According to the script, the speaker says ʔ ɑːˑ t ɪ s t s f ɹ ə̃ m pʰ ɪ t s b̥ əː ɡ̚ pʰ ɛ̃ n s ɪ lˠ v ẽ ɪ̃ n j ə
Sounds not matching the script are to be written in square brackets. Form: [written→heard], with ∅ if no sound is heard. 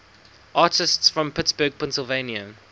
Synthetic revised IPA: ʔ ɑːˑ t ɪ s t s f ɹ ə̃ m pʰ ɪ t s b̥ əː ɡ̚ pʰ ɛ̃ n s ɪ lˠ v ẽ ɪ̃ n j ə